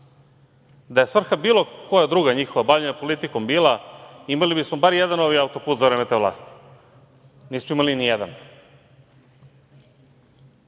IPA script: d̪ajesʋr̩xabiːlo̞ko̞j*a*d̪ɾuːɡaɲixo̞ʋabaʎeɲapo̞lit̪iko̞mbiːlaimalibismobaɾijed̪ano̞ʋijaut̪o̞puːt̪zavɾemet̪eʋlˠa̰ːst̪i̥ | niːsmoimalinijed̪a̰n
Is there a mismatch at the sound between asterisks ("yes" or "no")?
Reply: no